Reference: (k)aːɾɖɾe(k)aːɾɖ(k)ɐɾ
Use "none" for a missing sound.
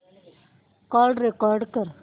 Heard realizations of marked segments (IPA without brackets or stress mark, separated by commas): k, k, k